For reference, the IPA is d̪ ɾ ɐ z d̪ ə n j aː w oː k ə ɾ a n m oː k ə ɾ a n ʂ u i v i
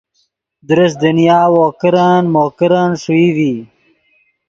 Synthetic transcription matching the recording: d̪ ɾ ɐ s d̪ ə n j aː w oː k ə ɾ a n m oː k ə ɾ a n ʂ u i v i